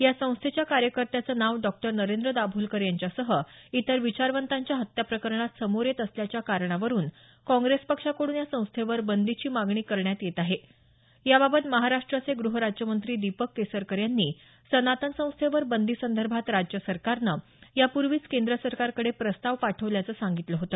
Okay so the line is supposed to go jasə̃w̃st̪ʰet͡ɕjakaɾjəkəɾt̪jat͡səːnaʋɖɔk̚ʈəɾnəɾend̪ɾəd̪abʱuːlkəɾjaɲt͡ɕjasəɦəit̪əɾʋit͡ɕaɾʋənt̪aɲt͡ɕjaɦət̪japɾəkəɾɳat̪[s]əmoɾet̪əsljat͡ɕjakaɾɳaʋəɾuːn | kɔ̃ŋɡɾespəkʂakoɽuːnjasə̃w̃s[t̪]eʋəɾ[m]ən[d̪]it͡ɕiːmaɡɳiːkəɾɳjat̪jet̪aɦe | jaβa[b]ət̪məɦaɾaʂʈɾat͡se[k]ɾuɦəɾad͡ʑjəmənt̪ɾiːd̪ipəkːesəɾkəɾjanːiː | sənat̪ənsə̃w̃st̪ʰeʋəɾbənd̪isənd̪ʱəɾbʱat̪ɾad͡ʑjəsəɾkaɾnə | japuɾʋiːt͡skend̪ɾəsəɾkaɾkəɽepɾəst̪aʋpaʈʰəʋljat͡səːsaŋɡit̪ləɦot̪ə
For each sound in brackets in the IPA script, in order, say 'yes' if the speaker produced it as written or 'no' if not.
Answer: yes, no, no, yes, yes, no

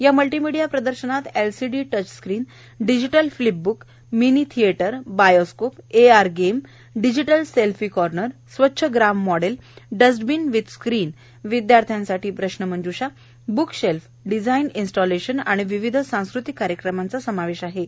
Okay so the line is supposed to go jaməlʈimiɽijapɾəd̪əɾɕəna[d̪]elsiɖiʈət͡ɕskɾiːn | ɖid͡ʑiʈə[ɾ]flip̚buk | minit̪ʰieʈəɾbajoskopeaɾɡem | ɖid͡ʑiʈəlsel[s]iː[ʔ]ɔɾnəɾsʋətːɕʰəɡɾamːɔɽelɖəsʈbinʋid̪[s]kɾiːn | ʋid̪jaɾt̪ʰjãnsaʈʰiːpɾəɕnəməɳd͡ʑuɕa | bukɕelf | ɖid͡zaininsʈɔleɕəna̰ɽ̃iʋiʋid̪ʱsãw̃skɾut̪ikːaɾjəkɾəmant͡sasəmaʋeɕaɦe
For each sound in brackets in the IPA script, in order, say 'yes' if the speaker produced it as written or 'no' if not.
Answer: no, no, no, no, yes

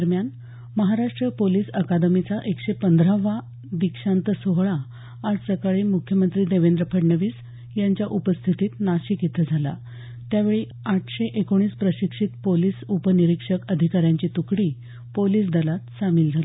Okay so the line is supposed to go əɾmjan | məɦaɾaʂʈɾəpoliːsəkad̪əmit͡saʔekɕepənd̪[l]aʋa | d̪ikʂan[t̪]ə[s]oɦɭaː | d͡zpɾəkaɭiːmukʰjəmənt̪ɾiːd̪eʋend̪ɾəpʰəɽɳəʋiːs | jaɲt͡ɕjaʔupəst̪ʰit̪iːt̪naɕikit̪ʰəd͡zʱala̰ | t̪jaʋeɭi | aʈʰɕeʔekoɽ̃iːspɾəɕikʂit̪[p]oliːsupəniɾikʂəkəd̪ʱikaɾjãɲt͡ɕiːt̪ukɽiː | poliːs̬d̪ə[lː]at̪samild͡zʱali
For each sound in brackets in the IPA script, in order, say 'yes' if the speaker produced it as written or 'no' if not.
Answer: no, yes, yes, yes, no

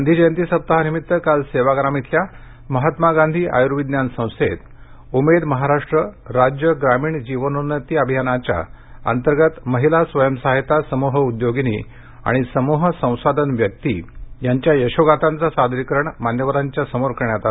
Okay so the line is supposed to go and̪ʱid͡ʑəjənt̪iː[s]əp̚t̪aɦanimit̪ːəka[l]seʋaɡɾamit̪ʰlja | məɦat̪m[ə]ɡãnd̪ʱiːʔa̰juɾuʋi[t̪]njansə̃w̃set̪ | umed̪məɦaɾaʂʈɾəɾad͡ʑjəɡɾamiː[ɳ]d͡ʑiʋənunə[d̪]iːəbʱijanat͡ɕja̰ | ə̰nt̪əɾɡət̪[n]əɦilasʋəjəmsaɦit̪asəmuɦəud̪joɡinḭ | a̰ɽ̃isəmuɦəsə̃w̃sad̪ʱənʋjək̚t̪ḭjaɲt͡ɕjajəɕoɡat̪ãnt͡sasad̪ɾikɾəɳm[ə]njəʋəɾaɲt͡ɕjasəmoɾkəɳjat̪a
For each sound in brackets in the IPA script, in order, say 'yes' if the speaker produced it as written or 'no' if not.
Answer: yes, yes, no, no, yes, no, no, no

